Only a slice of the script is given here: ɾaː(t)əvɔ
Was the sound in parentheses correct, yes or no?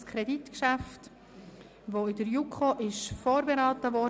yes